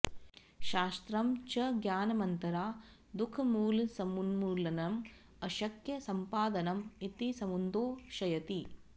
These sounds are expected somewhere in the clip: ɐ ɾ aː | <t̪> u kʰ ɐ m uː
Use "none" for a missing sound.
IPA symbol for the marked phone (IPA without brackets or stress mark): d̪